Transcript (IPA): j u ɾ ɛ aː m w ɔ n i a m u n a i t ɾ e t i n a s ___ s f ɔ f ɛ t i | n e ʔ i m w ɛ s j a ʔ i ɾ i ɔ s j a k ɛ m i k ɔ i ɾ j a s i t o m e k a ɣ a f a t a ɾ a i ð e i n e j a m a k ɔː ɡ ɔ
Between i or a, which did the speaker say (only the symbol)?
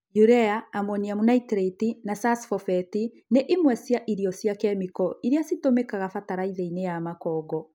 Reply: a